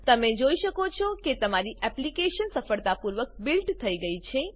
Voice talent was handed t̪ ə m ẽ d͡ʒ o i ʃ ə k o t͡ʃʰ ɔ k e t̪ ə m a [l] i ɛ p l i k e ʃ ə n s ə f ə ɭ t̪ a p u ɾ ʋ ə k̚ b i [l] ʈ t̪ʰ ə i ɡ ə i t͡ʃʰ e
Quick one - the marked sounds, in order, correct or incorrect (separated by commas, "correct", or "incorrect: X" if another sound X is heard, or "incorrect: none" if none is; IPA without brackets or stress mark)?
incorrect: ɾ, correct